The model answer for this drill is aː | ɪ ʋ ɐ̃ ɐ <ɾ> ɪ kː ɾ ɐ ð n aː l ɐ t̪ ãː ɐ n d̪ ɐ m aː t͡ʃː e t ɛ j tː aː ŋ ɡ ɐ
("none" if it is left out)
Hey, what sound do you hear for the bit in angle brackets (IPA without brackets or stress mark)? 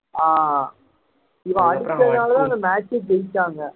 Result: ɽ